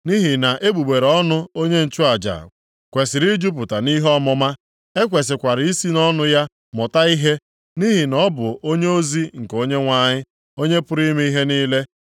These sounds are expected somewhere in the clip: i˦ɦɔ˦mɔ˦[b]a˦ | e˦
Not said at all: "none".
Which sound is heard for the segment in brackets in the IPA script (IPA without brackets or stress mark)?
m